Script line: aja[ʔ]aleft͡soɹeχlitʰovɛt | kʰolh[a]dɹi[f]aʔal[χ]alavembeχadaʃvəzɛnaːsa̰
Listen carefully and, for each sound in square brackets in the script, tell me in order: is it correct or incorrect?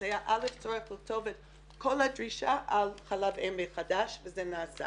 correct, correct, incorrect: ʃ, correct

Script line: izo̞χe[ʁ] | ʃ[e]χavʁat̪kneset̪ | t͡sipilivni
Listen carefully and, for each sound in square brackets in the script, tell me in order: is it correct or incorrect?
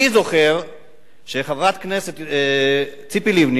correct, correct

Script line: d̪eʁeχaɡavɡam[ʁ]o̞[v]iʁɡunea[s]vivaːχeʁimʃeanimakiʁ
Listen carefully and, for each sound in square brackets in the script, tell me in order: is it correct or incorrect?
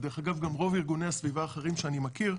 correct, correct, correct

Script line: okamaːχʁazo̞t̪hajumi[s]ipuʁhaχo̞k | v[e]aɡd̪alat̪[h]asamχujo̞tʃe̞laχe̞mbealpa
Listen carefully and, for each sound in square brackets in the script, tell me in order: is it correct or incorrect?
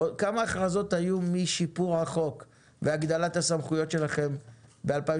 incorrect: ʃ, correct, correct

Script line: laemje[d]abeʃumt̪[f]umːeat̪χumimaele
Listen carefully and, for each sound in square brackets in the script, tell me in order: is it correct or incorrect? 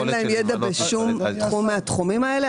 correct, incorrect: χ

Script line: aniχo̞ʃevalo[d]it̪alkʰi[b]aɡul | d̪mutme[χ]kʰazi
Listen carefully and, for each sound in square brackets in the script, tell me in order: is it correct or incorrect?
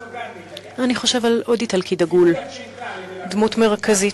correct, incorrect: d, incorrect: ʁ

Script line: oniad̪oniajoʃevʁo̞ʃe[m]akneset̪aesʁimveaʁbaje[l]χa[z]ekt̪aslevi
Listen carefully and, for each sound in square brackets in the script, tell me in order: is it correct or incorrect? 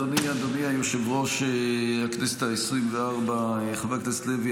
incorrect: none, incorrect: none, incorrect: v

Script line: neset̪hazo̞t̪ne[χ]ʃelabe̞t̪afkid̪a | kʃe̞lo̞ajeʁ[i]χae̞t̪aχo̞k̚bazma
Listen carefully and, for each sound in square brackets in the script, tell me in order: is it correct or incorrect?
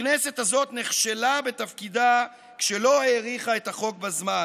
correct, correct

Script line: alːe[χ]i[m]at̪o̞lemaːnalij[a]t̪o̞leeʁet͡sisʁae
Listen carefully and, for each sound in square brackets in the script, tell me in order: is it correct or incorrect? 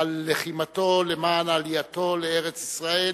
correct, correct, correct

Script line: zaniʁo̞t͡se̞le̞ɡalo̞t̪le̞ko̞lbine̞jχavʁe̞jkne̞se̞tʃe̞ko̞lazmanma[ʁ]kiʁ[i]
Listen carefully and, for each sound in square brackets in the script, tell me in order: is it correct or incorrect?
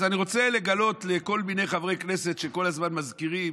incorrect: z, correct

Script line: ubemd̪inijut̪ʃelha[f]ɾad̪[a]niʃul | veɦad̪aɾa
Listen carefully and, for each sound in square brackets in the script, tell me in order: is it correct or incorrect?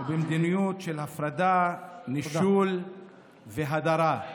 correct, correct

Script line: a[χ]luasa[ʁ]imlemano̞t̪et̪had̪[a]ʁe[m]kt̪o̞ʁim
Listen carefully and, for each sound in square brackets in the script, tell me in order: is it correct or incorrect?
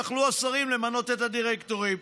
correct, correct, incorrect: i, incorrect: none

